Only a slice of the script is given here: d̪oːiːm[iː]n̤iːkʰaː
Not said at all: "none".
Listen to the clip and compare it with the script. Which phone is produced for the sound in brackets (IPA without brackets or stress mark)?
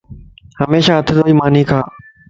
aː